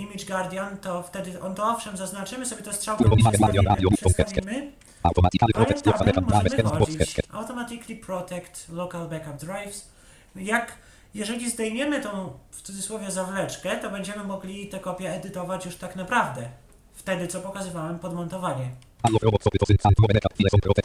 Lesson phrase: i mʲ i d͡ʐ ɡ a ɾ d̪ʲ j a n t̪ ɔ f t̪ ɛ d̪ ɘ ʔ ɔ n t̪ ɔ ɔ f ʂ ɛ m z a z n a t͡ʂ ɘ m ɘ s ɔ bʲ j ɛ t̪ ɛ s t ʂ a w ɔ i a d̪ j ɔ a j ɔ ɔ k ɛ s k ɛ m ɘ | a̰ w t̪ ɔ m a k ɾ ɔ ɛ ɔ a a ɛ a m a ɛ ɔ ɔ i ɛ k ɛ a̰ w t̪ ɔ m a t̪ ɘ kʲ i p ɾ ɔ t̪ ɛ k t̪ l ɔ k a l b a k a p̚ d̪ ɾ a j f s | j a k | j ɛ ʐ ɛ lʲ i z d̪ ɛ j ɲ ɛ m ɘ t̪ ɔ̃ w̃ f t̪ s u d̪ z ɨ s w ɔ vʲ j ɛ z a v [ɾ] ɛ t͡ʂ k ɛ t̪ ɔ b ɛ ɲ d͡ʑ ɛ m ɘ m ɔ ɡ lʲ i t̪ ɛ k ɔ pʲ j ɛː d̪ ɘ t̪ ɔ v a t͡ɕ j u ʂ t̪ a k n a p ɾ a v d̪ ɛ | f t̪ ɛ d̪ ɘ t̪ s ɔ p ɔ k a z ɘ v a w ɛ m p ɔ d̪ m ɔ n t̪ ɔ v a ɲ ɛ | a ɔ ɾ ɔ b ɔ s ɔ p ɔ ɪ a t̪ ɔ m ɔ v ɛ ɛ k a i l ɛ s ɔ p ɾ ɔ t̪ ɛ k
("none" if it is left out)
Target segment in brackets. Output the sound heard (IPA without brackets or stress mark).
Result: l